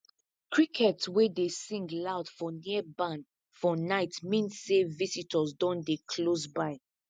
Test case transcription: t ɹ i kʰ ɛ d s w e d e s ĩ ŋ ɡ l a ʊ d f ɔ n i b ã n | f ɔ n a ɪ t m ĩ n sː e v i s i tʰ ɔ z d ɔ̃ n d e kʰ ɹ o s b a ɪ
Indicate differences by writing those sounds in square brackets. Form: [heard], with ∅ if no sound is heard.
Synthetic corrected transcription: [k] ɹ i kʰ ɛ [t] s w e d e s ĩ ŋ ɡ l a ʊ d f ɔ n i b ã n | f ɔ n a ɪ t m ĩ n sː e v i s i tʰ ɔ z d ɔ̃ n d e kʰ [l] o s b a ɪ